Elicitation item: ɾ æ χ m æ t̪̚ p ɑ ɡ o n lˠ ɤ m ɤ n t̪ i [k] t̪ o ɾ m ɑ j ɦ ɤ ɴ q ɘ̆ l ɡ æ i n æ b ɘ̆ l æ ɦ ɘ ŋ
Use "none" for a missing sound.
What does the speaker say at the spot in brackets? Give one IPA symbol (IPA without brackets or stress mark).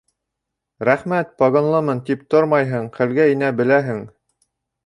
p